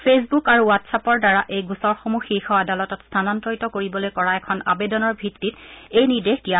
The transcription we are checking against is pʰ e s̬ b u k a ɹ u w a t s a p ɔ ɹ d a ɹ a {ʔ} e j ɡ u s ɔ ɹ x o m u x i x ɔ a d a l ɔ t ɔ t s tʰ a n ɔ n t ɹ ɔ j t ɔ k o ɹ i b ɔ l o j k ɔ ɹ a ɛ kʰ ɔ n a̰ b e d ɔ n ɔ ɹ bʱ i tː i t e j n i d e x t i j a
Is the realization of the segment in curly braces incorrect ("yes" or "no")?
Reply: no